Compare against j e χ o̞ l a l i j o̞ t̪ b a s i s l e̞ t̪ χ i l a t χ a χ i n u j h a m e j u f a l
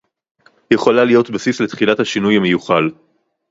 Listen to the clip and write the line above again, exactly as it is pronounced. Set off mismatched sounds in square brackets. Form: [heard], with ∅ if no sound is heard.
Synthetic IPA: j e χ o̞ l a l i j o̞ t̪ b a s i s l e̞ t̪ χ i l a t [h] a [ʃ] i n u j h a m e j u [χ] a l